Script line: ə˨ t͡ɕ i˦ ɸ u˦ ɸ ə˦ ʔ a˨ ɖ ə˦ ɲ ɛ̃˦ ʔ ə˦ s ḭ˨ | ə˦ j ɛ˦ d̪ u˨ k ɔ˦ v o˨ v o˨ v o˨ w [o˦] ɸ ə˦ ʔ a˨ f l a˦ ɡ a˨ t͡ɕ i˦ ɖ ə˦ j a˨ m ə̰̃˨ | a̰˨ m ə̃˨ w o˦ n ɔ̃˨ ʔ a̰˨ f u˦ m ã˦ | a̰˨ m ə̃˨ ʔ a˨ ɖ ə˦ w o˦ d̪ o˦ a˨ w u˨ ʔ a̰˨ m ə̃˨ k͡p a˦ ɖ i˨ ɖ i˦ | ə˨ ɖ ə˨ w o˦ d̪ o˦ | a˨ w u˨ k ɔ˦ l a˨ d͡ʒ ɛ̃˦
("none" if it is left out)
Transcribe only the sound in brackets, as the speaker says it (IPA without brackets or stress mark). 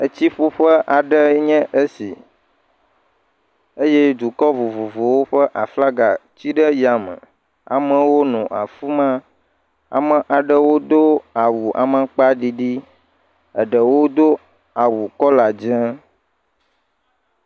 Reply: o˦